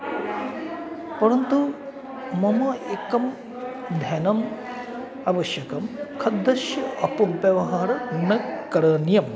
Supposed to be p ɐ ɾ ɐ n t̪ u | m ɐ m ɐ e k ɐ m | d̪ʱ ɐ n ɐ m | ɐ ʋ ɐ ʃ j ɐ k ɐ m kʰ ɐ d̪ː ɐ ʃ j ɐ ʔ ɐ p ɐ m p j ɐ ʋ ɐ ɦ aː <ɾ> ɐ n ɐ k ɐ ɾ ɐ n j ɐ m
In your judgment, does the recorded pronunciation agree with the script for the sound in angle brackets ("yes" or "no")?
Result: yes